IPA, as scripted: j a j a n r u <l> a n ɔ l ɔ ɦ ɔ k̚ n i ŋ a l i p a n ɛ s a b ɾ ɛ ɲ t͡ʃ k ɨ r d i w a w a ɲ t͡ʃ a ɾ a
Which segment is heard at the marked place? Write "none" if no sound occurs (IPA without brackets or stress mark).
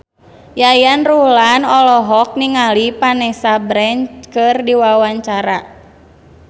l